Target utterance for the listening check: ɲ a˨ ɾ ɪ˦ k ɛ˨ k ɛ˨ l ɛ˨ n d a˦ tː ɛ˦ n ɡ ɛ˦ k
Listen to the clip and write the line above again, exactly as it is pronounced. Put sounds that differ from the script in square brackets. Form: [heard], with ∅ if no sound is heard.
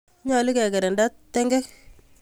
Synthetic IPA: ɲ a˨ [l] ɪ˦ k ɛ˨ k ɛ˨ [ɾ] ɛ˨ n d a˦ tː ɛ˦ [ŋ] ɡ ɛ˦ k